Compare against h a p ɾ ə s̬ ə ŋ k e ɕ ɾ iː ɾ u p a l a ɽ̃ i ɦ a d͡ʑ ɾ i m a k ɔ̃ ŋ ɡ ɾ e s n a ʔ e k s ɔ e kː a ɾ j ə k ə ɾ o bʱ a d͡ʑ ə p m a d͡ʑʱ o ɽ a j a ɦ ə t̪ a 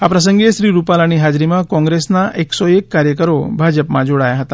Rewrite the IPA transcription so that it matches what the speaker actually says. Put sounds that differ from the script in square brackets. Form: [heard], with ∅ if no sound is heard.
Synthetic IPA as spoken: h a p ɾ ə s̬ ə ŋ [ɡ] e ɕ ɾ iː ɾ u p a l a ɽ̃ i ɦ a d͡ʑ ɾ i m a k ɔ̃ ŋ ɡ ɾ e s n a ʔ e k s ɔ e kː a ɾ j ə k ə ɾ o bʱ a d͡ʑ ə p m a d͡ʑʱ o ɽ a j a ɦ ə t̪ a